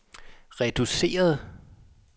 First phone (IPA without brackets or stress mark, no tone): ʁ